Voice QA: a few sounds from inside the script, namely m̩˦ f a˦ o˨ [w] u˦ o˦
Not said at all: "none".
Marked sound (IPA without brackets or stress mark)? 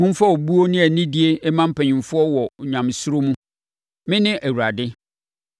b